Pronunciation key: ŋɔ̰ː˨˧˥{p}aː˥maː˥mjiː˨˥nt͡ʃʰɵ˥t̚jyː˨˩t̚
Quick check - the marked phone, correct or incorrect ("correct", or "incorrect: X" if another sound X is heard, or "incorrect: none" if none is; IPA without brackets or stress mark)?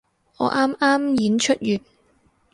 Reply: incorrect: ʔ